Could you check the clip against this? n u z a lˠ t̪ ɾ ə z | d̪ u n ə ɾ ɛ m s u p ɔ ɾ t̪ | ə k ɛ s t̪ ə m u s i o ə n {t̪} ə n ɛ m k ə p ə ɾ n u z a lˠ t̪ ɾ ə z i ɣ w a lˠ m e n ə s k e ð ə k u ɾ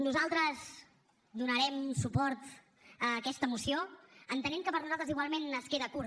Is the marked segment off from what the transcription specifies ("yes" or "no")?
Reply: no